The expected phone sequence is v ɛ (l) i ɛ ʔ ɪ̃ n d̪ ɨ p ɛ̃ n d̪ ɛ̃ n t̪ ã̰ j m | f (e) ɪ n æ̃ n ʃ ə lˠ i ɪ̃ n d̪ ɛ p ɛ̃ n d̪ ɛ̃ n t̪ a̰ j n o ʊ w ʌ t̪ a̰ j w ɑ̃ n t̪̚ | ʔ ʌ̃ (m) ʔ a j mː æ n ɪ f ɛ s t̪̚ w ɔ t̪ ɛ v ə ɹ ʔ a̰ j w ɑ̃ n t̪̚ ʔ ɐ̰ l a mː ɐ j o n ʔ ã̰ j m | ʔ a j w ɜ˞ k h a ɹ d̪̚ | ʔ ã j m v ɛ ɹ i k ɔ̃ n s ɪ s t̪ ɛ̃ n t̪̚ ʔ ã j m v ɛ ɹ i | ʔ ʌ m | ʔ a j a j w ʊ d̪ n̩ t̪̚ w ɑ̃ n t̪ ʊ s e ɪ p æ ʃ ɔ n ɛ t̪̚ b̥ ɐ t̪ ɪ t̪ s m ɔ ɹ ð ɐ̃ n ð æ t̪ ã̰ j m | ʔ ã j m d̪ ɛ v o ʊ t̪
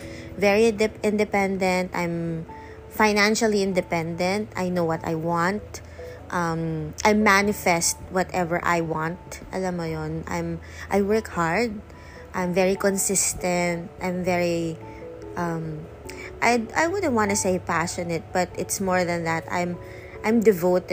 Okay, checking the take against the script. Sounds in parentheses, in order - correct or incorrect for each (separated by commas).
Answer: incorrect, incorrect, correct